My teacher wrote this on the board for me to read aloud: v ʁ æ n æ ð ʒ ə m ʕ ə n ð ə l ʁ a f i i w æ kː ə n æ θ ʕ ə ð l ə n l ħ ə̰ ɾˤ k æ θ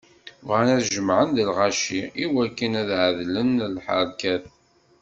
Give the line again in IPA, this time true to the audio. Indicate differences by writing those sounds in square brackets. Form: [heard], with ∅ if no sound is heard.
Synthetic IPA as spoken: v ʁ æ n æ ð ʒ ə m ʕ ə n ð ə l ʁ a [ʃ] i i w æ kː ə n æ [ð] ʕ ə ð l ə n l ħ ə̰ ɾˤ k æ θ